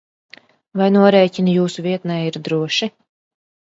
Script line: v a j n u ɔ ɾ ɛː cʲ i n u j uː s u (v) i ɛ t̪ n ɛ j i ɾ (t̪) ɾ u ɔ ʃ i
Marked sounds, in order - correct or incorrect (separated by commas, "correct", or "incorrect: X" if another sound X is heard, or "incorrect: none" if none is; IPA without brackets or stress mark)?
correct, incorrect: d̪